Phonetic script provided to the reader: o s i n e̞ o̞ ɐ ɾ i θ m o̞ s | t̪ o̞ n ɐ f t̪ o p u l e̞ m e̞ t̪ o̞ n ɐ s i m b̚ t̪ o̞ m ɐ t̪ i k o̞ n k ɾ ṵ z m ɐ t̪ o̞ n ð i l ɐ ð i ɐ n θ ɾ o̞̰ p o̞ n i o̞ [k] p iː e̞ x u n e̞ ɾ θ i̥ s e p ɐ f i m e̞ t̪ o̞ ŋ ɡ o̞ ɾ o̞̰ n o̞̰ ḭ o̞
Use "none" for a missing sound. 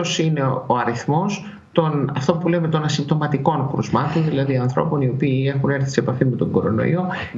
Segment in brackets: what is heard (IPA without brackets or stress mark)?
none